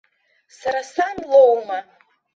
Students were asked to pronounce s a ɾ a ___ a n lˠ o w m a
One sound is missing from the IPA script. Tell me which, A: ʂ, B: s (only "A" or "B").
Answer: B